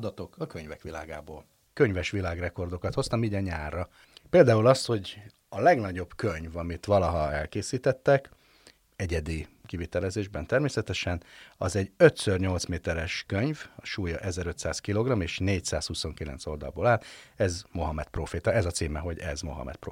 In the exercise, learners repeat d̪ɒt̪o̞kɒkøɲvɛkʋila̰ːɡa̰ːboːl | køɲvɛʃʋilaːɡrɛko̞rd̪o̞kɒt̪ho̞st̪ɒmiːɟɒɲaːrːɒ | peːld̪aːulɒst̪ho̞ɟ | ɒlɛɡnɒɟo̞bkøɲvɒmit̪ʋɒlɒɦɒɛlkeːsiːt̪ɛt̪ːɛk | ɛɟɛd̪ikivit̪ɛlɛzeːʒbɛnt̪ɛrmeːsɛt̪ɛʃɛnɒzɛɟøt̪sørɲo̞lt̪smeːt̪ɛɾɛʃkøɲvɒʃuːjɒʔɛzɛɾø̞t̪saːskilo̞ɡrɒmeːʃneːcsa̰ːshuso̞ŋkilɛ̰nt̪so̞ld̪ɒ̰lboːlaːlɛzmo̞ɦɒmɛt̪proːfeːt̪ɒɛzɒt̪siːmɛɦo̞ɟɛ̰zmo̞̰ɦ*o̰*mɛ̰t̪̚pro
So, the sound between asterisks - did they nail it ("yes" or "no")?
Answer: no